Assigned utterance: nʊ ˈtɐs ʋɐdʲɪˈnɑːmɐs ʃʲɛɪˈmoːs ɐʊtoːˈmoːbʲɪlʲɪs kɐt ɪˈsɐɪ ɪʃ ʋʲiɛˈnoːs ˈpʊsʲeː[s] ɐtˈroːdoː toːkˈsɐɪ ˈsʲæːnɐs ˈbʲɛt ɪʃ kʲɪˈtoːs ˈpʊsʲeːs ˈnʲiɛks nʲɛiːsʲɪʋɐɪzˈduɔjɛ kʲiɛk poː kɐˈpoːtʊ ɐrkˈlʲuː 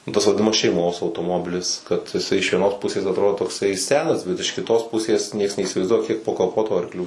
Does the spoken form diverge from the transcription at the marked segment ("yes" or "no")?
no